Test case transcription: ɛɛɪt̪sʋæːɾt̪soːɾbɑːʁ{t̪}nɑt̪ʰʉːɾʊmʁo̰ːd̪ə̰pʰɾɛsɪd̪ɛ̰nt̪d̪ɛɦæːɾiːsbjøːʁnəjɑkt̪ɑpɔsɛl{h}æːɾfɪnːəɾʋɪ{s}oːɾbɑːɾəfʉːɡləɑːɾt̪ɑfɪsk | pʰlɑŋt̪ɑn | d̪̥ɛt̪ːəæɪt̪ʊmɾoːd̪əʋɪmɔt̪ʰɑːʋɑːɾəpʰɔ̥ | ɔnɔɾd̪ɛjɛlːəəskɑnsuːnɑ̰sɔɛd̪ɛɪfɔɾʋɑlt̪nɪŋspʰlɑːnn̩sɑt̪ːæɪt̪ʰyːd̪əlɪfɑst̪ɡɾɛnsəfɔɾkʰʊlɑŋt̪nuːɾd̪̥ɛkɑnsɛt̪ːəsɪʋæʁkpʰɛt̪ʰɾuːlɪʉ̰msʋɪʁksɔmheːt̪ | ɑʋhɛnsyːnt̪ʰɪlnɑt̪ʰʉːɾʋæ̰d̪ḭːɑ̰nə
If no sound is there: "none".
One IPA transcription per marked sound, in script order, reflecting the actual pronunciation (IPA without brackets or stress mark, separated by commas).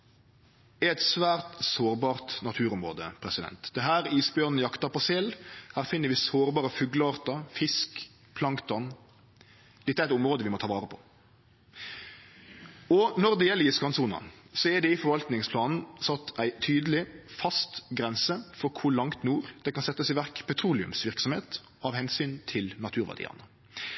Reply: t̪, h, s